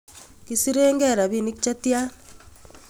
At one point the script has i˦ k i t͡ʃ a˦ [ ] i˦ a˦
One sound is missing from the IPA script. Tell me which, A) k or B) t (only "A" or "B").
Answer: B